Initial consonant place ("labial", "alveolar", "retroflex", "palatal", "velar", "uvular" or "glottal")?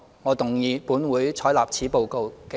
velar